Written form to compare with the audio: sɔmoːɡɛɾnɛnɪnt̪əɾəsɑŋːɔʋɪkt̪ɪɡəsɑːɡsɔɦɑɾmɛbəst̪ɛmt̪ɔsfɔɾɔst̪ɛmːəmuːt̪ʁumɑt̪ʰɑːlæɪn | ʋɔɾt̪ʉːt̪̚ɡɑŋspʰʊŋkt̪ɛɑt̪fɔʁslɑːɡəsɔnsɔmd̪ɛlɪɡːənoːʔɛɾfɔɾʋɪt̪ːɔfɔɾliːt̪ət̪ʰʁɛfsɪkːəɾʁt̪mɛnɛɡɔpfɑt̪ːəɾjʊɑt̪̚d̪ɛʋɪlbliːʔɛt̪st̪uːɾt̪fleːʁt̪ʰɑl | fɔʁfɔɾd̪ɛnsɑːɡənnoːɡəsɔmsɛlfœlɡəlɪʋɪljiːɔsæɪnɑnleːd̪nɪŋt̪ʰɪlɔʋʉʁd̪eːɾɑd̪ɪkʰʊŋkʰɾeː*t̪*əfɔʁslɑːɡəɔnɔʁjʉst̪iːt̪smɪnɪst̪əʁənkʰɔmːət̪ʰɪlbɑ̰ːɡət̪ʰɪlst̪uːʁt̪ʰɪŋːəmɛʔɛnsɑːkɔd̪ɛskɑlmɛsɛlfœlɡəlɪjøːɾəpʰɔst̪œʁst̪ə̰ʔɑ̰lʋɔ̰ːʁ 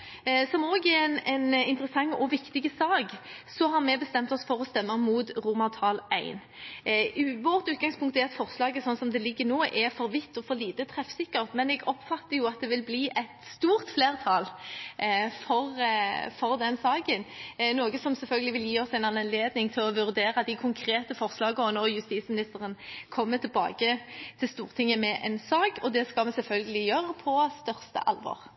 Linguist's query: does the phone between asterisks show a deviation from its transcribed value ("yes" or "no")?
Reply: no